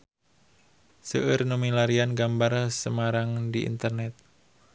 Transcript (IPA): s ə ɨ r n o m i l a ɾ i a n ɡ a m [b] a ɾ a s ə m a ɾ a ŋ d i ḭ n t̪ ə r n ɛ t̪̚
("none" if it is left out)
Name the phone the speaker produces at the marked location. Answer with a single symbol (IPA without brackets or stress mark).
b